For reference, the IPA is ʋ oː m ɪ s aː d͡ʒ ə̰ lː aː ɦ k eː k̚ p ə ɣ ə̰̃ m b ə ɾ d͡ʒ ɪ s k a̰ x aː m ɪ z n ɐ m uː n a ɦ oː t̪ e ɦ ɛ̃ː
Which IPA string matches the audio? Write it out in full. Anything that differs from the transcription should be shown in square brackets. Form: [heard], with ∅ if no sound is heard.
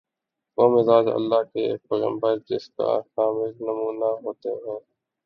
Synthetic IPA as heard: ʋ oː m ɪ [z] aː d͡ʒ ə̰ lː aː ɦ k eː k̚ p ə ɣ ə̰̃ m b ə ɾ d͡ʒ ɪ s k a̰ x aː m ɪ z n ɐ m uː n a ɦ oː t̪ e ɦ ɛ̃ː